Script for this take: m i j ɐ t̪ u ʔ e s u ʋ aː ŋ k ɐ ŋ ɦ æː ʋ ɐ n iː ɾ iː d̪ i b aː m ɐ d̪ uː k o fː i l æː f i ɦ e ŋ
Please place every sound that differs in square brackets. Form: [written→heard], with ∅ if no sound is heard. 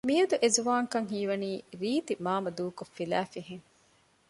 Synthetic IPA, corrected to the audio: m i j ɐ [t̪→d̪] u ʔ e [s→z] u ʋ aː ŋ k ɐ ŋ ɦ [æː→iː] ʋ ɐ n iː ɾ iː [d̪→t̪] i [b→m] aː m ɐ d̪ uː k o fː i l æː f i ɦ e ŋ